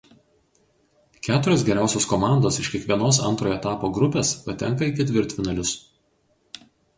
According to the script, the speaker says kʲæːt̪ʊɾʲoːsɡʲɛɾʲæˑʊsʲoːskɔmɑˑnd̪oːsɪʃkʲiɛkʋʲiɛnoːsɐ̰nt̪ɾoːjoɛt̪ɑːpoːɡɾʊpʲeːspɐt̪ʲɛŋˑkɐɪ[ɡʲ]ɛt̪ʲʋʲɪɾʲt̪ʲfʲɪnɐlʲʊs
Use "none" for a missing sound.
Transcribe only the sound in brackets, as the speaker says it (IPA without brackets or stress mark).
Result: kʲ